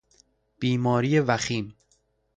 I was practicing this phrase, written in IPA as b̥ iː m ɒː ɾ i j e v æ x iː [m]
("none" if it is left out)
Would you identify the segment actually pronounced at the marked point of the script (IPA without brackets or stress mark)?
m